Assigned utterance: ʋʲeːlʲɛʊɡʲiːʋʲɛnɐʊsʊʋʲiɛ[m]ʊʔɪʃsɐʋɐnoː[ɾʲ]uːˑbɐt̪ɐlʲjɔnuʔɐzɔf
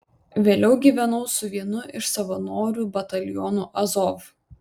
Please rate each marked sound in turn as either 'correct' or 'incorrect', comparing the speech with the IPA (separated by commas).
incorrect, correct